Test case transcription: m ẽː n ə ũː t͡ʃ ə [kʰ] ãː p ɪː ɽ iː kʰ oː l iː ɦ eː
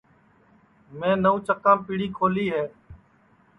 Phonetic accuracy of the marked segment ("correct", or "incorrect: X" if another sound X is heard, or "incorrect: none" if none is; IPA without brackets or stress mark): incorrect: k